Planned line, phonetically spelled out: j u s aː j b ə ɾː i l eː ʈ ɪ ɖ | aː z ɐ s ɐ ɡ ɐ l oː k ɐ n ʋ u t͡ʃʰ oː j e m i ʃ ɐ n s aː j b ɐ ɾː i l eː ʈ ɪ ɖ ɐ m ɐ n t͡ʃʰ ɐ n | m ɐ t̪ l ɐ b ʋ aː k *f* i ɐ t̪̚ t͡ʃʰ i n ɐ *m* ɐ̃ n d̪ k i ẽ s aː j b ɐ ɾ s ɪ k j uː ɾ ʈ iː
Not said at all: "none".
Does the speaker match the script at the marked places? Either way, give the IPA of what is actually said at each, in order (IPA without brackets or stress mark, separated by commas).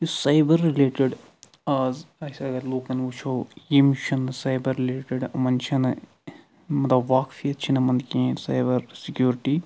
f, m